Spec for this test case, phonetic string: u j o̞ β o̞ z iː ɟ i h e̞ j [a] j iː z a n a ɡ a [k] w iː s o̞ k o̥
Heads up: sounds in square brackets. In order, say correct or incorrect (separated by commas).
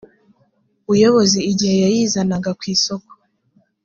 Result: correct, correct